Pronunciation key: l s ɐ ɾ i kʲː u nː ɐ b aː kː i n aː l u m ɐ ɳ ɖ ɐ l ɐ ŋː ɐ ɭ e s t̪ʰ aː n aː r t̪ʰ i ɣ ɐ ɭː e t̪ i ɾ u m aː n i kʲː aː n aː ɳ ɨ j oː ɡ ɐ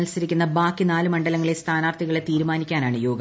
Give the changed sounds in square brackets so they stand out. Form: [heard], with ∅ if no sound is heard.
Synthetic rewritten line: l s ɐ ɾ i kʲː u nː ɐ b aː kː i n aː l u m ɐ ɳ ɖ ɐ l ɐ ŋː ɐ ɭ e s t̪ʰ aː n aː r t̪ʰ i ɣ ɐ [ɭ] e t̪ [iː] ɾ u m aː n i kʲː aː n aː ɳ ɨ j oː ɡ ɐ